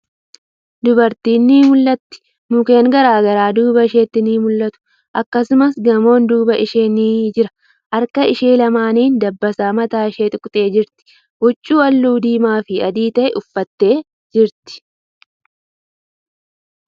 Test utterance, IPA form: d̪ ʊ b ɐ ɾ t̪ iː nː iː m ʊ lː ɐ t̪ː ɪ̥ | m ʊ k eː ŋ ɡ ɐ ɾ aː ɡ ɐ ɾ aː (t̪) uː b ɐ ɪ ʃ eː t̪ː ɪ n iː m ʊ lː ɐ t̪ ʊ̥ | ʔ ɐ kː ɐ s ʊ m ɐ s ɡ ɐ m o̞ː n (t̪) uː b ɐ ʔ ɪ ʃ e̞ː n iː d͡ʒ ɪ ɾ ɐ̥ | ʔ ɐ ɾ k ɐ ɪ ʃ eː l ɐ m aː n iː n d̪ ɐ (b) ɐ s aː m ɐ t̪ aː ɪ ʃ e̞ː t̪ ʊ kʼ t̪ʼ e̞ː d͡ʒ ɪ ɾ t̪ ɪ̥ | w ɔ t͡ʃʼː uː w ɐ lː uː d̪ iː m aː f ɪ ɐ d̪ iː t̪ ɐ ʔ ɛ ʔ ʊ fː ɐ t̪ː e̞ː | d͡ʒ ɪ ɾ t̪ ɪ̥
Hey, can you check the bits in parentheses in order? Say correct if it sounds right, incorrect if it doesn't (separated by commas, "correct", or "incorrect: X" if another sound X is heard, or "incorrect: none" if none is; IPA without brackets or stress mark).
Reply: incorrect: d̪, incorrect: d̪, incorrect: bː